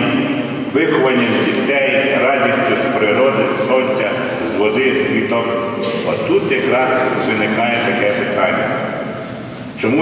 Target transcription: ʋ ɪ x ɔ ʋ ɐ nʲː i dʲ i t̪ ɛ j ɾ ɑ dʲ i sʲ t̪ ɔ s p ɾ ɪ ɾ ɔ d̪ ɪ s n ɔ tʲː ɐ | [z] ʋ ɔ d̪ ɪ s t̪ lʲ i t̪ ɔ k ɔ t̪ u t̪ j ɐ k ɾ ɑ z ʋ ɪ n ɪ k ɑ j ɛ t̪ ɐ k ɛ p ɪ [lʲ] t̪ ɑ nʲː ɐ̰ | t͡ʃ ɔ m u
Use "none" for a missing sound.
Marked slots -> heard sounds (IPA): z, none

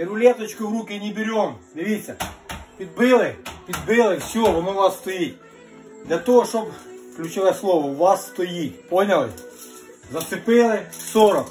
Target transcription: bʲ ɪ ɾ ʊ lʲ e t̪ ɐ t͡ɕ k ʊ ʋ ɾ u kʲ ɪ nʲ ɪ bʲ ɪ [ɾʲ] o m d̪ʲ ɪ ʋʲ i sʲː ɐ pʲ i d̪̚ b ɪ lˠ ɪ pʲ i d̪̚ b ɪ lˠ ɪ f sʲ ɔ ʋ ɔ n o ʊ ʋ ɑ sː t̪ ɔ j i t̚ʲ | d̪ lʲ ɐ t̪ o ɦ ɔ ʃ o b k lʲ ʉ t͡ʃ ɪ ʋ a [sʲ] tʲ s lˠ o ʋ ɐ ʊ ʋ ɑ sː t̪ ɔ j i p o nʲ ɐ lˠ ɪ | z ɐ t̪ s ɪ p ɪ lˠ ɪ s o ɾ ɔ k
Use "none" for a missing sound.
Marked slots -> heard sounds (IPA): ɾʲ, none

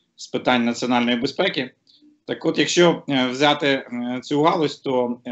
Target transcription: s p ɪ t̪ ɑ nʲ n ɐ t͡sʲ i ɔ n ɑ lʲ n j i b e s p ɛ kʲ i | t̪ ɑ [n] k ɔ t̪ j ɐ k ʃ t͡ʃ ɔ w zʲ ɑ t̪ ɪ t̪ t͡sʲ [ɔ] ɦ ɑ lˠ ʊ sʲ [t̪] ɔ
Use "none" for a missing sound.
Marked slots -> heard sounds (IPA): none, u, t̪

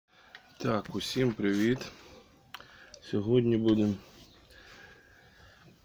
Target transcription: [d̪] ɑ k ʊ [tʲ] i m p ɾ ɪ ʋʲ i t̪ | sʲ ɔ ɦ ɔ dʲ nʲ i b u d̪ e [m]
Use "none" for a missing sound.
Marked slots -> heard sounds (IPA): t̪, sʲ, m

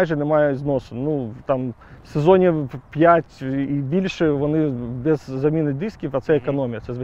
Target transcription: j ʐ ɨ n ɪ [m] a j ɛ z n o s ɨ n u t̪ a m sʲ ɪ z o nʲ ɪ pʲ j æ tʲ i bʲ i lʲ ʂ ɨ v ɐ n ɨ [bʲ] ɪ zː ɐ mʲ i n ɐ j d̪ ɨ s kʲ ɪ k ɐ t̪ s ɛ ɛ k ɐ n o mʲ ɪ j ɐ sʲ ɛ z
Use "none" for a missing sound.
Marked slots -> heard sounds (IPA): m, bʲ

